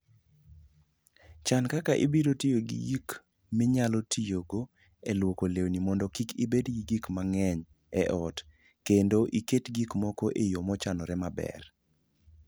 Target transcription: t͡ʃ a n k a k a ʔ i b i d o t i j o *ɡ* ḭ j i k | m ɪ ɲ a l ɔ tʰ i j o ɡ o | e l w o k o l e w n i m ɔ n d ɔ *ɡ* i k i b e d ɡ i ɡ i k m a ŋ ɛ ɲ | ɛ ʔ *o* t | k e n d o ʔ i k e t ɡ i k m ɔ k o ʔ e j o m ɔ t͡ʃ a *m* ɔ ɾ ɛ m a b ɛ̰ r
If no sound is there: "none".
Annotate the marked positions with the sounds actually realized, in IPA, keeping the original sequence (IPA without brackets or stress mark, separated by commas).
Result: ɡ, k, ɔ, n